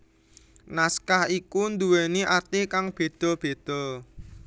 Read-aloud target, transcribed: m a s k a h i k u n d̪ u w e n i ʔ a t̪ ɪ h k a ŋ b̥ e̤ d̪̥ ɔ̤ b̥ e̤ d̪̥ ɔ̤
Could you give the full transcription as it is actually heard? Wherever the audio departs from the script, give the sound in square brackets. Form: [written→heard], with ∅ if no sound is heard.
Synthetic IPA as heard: [m→n] a s k a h i k u n d̪ u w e n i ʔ a t̪ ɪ h k a ŋ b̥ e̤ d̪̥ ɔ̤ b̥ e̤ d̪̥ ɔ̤